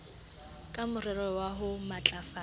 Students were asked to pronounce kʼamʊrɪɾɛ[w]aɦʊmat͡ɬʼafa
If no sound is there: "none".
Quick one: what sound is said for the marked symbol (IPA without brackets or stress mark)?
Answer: w